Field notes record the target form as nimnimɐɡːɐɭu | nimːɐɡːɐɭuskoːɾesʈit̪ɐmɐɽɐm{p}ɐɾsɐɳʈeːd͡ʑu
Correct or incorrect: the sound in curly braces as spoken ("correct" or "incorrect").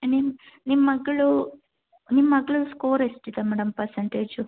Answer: correct